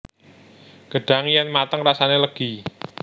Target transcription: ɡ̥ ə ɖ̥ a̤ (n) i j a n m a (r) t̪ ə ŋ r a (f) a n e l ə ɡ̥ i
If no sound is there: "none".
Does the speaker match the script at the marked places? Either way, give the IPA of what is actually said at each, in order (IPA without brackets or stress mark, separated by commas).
ŋ, none, s